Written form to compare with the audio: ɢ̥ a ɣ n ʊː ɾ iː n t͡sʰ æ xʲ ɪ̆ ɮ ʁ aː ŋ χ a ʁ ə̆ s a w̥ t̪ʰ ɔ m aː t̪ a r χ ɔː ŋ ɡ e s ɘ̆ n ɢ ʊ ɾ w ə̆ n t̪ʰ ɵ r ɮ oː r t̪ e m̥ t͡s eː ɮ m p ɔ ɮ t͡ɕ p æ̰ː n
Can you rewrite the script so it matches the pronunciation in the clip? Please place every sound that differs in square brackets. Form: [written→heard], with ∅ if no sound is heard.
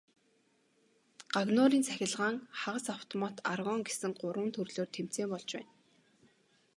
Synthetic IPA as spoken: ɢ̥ a ɣ n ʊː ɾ iː n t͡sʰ æ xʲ ɪ̆ ɮ ʁ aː ŋ χ a ʁ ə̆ s a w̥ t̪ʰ ɔ m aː t̪ a r [χ→ʁ] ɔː ŋ ɡ e s ɘ̆ [n→ŋ] ɢ ʊ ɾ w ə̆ n t̪ʰ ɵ r ɮ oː r [t̪→t̪ʰ] e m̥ t͡s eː [ɮ→∅] m p ɔ ɮ t͡ɕ p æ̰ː n